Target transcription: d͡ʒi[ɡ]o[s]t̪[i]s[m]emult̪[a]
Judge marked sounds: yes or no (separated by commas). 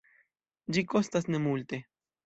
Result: no, yes, no, no, no